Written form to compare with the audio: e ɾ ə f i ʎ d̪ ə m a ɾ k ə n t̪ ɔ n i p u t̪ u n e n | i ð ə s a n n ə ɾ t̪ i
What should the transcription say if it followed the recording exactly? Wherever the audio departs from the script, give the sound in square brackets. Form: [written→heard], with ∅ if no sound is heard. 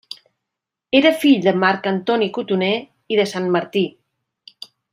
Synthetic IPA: e ɾ ə f i ʎ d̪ ə m a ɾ k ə n t̪ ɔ n i [p→k] u t̪ u n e [n→∅] | i ð ə s a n [n→m] ə ɾ t̪ i